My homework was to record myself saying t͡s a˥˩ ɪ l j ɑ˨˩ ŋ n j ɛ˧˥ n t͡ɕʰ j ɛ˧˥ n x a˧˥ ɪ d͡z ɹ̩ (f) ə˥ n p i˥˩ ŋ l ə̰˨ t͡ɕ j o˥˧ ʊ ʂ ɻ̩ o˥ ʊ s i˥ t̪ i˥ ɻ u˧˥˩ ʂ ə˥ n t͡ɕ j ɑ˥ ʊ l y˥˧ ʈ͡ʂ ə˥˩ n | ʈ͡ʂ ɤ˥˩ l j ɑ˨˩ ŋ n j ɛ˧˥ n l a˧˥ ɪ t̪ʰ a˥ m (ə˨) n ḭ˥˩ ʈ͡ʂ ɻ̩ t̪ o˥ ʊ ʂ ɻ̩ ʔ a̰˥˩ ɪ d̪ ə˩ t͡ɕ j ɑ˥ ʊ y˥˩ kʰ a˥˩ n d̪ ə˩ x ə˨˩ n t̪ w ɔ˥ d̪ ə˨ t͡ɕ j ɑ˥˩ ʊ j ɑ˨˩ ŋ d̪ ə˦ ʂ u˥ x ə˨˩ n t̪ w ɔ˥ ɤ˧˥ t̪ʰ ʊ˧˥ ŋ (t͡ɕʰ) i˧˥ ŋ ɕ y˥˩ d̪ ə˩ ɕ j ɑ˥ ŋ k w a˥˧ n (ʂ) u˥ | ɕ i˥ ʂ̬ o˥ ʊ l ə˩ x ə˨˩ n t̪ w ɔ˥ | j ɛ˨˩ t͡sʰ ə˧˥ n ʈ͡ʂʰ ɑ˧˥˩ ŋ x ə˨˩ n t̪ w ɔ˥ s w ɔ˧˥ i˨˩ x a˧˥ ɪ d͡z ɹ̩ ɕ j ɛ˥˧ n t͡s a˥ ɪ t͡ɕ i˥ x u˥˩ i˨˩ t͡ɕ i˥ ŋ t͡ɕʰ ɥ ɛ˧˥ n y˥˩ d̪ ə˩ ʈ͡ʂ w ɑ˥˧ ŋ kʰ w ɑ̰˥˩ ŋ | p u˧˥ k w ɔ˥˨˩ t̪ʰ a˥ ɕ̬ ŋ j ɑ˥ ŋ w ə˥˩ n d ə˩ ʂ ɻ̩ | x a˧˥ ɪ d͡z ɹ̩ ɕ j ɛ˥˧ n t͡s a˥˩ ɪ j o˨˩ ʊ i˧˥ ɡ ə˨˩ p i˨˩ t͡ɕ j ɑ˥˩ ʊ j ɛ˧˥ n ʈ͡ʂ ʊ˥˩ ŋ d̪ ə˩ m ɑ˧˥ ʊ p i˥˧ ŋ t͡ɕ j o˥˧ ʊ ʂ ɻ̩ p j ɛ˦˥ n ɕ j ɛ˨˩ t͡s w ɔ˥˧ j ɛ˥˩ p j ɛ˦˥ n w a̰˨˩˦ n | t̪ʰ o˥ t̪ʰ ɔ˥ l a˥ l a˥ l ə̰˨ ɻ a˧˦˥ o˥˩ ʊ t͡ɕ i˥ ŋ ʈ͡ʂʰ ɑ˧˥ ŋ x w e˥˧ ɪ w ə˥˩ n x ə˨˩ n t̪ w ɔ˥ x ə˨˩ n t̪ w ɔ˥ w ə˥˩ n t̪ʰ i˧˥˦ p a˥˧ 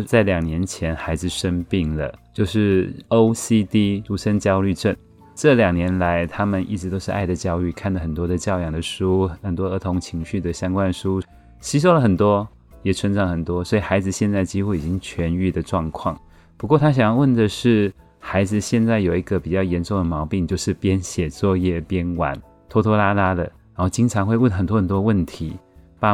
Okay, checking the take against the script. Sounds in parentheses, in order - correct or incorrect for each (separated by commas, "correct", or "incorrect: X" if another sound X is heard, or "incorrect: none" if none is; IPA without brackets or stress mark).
incorrect: ʂ, correct, correct, correct